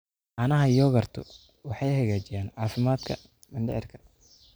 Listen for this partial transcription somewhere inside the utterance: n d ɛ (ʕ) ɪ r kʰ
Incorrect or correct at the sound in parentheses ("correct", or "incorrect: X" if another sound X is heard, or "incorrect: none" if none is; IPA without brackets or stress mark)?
correct